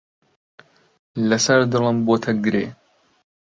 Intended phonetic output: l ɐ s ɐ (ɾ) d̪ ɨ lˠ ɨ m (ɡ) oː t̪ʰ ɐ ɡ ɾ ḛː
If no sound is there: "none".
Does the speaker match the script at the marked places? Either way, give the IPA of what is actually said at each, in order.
ɾ, b

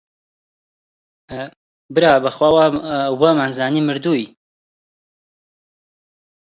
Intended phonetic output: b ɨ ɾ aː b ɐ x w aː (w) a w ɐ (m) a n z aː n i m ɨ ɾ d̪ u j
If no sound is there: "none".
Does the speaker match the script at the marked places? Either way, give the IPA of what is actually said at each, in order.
w, m

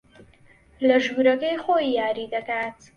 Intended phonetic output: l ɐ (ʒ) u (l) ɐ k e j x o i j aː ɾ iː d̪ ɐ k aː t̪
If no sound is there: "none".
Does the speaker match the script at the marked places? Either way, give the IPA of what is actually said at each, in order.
ʒ, ɾ

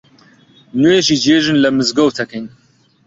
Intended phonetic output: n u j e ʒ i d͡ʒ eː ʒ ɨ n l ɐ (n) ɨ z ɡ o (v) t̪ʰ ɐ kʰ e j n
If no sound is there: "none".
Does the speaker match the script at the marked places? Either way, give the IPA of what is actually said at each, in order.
m, w

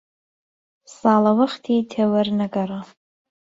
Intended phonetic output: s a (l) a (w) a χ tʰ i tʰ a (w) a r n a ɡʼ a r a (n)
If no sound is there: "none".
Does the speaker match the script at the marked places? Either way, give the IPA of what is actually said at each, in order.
l, w, w, none

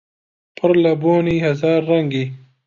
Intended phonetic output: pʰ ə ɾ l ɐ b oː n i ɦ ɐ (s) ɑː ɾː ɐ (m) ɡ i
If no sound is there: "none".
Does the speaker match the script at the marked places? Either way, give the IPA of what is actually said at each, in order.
z, ŋ

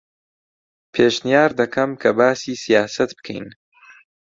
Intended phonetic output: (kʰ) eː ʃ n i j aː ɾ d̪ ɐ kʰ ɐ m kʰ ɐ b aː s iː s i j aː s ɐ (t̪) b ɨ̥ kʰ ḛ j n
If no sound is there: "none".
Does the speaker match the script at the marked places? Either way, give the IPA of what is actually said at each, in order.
pʰ, t̪

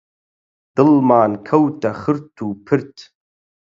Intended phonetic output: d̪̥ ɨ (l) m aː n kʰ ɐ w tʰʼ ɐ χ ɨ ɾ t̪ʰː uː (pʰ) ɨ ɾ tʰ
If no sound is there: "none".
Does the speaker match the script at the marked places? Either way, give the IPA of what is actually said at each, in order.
l, pʰ

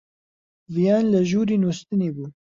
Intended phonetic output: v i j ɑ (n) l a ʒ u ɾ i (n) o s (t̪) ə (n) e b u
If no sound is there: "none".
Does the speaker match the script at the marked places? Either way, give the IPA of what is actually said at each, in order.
n, n, t̪, n

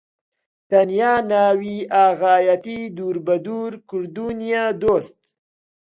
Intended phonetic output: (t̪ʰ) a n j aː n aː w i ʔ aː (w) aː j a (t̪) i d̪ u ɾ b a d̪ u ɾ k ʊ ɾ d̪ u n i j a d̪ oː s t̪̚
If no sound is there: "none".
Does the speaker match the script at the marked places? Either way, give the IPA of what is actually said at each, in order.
t̪, ɣ, t̪

